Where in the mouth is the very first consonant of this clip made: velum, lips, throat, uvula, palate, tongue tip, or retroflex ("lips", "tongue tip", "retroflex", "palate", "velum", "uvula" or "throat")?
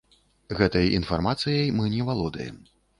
velum